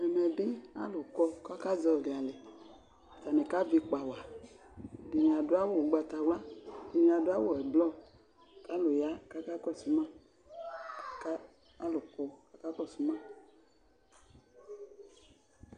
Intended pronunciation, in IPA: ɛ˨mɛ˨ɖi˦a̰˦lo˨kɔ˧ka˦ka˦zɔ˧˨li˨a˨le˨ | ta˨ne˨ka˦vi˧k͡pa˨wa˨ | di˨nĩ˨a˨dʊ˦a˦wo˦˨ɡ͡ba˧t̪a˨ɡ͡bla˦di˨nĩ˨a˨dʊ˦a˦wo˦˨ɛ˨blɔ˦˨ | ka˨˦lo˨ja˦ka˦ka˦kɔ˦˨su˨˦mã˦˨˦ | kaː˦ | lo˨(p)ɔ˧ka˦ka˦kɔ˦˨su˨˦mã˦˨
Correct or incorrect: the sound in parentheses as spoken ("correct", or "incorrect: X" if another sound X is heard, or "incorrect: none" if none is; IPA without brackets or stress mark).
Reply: incorrect: k